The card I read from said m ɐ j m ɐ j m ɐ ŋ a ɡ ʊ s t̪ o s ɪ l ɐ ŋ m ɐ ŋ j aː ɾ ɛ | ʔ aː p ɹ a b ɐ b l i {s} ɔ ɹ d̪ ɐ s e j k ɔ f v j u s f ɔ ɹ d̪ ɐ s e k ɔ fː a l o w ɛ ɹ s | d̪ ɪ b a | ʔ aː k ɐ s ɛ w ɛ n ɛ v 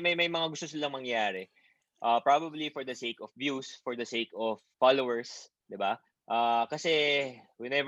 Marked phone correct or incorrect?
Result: incorrect